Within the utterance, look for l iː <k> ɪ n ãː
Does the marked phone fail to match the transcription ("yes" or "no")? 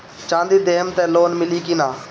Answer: no